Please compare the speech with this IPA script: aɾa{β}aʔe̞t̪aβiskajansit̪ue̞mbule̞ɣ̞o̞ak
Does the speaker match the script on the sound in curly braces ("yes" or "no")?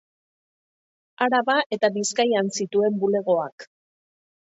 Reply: yes